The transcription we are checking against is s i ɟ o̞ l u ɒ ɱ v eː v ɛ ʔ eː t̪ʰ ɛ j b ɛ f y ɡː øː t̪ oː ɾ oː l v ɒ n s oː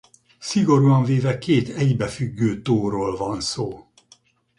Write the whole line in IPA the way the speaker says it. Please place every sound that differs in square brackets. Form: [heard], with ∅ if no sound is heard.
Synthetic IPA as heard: s i [ɡ] o̞ [ɾ] u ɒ ɱ v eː v ɛ [k] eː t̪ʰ ɛ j b ɛ f y ɡː øː t̪ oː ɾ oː l v ɒ n s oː